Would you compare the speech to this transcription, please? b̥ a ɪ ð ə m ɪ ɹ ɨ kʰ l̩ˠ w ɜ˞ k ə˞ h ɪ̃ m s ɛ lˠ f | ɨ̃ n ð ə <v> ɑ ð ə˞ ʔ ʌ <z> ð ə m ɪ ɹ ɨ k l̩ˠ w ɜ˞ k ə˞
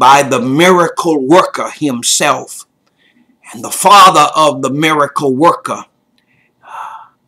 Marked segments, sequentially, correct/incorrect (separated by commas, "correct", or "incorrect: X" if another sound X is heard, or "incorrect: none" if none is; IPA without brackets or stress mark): incorrect: f, incorrect: v